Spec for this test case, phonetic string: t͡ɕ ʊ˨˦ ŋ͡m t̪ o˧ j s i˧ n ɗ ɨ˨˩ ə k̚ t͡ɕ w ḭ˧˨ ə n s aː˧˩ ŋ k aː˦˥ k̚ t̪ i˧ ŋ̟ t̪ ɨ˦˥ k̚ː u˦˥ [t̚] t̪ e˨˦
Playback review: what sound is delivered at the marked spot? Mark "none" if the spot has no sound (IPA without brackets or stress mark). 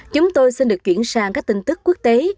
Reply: k̚